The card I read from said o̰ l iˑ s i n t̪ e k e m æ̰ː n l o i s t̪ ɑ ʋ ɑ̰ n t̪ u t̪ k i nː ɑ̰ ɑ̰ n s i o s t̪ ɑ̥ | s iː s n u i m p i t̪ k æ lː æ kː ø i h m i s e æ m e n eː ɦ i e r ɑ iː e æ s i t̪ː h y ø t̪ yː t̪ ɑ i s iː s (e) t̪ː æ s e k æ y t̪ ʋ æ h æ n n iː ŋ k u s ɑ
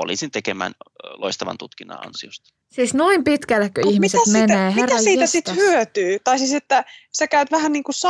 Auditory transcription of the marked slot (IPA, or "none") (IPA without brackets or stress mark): e